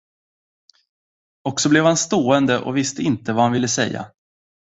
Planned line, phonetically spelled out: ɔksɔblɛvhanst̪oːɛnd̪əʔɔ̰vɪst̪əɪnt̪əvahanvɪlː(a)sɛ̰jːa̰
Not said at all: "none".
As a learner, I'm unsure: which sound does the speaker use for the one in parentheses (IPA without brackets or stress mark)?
ə